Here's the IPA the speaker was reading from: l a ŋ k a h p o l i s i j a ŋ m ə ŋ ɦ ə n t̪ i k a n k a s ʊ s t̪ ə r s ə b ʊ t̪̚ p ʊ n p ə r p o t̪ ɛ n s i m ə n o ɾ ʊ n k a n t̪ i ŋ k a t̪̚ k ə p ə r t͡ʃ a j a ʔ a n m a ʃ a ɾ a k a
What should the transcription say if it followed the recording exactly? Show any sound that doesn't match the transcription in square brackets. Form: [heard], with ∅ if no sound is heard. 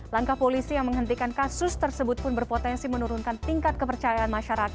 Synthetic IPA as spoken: l a ŋ k a h p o l i s i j a ŋ m ə ŋ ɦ ə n t̪ i k a n k a s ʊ s t̪ ə r s ə b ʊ t̪̚ p ʊ n [b] ə r p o t̪ ɛ n s i m ə n [u] ɾ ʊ n k a n t̪ i ŋ k a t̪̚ k ə p ə r t͡ʃ a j a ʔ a n m a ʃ a ɾ a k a